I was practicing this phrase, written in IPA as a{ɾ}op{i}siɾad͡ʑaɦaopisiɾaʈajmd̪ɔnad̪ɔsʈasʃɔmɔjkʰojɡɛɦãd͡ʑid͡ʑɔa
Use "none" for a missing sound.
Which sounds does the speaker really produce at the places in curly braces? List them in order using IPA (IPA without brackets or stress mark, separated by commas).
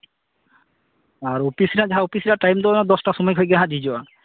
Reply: ɾ, i